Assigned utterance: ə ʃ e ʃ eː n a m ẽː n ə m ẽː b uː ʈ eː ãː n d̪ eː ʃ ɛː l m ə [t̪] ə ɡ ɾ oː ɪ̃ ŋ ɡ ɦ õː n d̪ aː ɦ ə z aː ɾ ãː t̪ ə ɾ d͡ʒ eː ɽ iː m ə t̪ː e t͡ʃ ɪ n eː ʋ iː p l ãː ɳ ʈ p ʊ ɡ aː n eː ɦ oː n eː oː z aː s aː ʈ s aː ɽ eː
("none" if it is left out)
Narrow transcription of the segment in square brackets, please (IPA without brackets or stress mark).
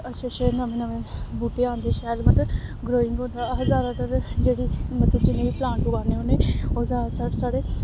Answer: t̪